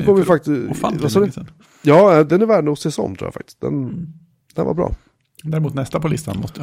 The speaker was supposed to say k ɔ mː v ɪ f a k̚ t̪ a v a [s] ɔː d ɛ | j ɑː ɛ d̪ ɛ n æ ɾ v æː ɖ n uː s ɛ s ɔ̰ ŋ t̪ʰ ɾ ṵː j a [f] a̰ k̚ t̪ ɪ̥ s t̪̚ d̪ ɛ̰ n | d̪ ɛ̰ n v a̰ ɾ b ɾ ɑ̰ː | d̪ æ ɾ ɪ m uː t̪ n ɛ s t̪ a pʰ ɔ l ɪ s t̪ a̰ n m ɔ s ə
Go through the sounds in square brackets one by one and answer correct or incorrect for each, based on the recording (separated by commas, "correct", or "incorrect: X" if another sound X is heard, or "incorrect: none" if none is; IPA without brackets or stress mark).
correct, correct